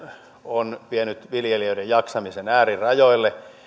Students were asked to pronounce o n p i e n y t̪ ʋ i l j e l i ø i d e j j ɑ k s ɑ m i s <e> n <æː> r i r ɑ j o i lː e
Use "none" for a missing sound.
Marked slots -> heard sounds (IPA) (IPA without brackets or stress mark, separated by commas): e, æː